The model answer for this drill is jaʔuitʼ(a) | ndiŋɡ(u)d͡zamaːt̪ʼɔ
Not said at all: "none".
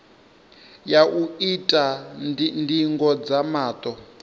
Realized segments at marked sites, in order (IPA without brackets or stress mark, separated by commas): a, ɔ